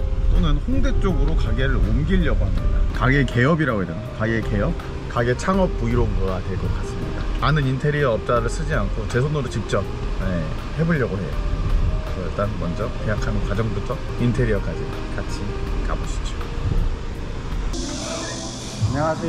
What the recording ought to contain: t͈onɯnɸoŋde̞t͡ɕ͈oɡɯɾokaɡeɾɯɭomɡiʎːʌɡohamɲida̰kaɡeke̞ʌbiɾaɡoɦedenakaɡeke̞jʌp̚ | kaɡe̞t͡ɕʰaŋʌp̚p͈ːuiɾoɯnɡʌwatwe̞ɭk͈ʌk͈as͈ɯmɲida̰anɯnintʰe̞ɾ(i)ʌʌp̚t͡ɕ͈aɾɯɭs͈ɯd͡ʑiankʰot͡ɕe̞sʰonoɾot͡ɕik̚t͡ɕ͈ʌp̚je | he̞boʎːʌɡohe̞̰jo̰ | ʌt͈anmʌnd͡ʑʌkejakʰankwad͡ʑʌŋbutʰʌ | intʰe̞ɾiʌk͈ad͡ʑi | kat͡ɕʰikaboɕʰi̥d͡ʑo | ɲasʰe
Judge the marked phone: correct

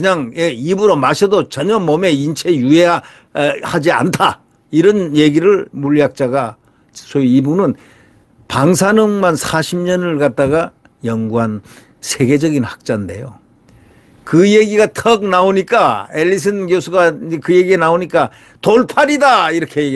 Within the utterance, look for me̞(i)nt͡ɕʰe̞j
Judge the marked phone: correct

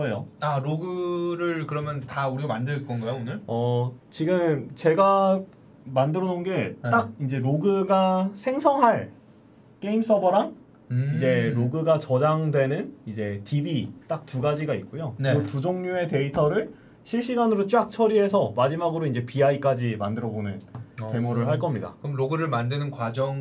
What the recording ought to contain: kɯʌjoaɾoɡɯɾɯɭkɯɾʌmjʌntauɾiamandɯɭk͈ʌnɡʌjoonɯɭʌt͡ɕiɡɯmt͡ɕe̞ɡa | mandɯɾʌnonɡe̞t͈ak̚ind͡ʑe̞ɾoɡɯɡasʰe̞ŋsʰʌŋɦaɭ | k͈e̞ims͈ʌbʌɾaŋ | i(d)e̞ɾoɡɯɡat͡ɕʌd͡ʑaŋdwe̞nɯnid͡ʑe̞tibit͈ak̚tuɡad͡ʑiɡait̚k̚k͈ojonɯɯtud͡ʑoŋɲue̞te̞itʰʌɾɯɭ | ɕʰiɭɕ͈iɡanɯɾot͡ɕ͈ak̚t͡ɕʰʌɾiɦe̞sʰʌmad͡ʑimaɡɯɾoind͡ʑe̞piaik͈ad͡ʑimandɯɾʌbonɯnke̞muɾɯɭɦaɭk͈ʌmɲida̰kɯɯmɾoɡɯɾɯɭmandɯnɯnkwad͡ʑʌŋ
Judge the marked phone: incorrect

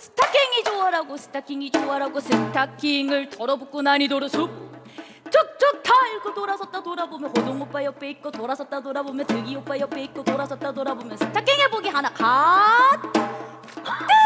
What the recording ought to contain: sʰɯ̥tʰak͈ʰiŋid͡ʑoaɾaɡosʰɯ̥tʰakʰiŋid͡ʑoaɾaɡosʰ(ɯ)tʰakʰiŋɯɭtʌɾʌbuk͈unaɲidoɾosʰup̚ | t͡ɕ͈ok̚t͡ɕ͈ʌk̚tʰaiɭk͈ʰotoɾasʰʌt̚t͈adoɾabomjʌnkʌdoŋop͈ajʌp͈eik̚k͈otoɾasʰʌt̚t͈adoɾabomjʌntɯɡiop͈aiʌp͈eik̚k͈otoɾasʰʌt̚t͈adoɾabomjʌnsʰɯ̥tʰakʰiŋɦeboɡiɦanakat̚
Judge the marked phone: correct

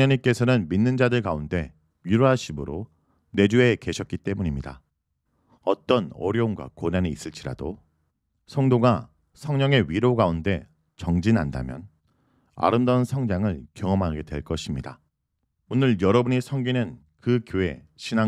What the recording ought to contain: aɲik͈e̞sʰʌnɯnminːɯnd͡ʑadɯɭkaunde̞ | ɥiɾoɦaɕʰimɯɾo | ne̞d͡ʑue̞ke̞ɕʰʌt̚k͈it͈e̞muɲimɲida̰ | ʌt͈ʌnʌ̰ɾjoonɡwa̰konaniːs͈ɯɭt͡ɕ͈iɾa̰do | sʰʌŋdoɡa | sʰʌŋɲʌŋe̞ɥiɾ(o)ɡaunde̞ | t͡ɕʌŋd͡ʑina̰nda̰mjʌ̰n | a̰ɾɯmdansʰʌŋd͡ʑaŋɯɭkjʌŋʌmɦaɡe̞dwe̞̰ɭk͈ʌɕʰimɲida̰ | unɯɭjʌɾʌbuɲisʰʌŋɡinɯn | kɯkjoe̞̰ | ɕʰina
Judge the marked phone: correct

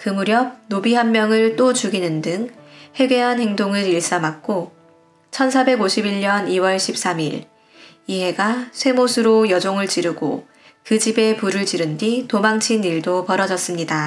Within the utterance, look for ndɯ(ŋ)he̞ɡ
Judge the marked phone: correct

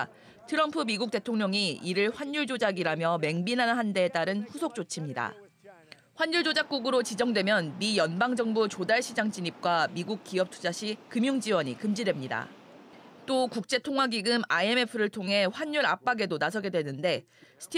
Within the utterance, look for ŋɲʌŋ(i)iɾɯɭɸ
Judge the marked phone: correct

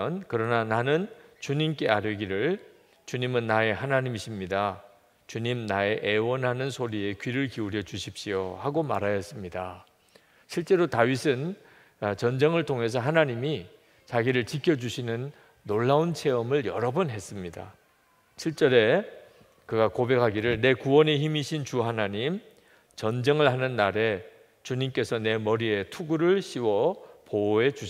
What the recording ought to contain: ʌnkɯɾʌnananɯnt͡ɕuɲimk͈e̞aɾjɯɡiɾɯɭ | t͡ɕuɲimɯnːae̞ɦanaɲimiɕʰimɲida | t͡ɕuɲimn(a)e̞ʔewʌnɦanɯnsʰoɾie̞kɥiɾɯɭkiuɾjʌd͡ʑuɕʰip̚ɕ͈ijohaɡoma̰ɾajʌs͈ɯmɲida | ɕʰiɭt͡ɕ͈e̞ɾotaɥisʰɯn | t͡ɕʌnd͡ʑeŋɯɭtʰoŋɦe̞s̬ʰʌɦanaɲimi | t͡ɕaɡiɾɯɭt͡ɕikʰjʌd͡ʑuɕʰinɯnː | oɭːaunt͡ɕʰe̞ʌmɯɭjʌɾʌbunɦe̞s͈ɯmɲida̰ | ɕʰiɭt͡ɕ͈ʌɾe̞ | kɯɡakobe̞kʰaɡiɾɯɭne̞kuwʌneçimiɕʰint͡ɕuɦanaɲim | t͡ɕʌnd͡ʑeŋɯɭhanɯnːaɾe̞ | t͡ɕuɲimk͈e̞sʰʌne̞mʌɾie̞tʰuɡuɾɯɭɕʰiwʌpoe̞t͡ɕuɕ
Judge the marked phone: correct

